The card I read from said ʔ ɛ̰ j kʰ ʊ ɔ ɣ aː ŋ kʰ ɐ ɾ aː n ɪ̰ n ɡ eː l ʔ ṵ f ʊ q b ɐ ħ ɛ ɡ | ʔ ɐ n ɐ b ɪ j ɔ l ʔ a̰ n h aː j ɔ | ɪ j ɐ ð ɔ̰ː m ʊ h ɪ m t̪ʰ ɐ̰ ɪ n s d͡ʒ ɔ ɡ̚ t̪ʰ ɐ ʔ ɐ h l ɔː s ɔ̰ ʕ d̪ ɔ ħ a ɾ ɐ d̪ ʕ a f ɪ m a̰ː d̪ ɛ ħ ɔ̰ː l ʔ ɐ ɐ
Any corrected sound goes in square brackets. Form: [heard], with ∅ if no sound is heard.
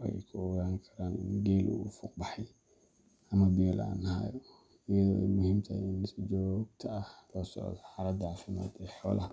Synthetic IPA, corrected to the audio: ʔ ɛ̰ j kʰ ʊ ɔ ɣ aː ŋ kʰ ɐ ɾ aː n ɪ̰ n ɡ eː l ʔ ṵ f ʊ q b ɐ ħ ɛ [∅] | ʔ ɐ [m] ɐ b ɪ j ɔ l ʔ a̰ n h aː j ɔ | ɪ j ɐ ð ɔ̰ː m ʊ h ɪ m t̪ʰ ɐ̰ ɪ n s d͡ʒ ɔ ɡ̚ t̪ʰ ɐ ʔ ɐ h l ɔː s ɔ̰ ʕ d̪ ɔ ħ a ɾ ɐ d̪ ʕ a f ɪ m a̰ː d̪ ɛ ħ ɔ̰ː l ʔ ɐ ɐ